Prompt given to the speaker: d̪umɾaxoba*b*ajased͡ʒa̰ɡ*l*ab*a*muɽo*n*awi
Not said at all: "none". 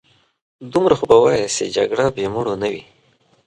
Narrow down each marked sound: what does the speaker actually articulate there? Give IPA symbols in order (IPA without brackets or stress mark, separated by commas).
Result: w, ɽ, e, n